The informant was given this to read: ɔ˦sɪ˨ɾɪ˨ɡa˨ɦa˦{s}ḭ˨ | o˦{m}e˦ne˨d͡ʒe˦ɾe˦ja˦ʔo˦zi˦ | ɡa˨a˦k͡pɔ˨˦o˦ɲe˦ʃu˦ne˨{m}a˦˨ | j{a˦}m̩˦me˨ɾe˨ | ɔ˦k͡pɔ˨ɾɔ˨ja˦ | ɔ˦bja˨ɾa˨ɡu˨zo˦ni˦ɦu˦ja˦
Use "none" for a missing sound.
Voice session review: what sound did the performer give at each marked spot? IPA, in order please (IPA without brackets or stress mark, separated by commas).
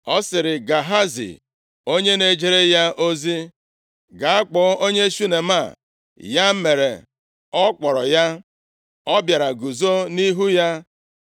z, ɲ, m, a˦